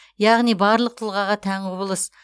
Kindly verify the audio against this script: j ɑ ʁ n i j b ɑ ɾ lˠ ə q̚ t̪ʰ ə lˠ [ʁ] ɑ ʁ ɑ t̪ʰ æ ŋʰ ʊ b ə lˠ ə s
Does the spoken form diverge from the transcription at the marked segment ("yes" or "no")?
no